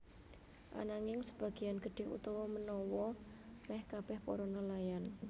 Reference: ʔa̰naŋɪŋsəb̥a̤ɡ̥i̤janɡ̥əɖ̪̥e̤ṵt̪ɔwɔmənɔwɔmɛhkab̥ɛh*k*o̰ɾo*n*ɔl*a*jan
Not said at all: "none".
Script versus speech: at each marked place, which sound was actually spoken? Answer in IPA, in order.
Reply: p, n, a

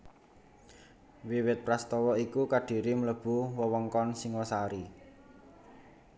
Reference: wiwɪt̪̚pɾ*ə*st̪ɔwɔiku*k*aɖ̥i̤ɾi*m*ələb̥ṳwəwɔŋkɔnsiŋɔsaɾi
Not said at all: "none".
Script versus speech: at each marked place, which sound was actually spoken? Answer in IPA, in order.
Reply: a, k, m

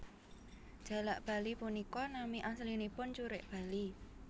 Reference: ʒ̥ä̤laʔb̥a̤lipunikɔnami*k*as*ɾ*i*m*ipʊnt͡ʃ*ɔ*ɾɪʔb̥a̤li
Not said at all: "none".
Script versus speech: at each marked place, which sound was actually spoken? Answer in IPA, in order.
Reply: ʔ, l, n, u

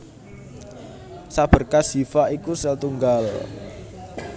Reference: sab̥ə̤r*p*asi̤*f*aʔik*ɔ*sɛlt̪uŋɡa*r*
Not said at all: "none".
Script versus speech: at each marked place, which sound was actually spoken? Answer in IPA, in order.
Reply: k, f, u, l

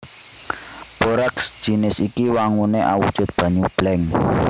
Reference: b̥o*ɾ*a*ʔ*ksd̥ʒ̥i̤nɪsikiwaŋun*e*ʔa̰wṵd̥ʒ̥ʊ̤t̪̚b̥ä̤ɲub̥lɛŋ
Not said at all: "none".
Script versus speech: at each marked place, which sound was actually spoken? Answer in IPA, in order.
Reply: ɾ, none, e

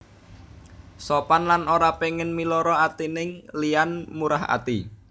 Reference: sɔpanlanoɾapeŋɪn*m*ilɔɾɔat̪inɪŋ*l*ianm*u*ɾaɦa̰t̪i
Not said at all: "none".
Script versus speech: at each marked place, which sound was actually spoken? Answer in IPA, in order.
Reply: m, l, u

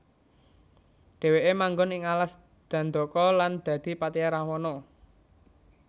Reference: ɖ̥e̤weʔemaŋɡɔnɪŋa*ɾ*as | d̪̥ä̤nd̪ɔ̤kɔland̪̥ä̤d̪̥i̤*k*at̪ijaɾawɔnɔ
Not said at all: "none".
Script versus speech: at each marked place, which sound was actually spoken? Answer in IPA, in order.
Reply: l, p

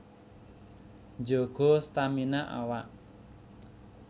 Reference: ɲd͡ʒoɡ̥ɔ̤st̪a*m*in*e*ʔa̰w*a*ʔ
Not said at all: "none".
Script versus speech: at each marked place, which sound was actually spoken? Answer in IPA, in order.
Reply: m, a, a

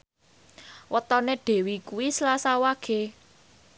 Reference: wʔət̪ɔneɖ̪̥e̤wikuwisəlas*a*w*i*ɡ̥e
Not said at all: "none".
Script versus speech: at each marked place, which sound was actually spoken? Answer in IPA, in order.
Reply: a, a

